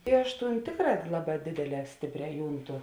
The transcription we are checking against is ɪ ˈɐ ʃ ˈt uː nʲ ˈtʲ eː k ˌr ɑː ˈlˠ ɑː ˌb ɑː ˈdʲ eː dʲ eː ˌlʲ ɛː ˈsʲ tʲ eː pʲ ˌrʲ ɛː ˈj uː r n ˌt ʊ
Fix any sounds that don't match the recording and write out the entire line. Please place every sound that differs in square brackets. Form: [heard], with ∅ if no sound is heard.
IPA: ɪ ˈɐ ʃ ˈt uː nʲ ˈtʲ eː k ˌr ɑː ˈlˠ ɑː ˌb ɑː ˈdʲ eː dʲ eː ˌlʲ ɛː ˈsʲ tʲ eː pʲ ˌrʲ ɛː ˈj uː [∅] n ˌt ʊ